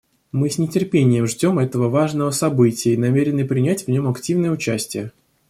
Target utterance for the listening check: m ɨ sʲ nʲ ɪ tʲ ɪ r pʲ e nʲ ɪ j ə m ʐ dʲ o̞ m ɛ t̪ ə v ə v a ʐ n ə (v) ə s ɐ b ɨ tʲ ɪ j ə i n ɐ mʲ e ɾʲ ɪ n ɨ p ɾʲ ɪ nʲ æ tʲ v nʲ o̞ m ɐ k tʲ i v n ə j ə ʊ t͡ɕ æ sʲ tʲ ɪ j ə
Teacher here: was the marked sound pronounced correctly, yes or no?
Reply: yes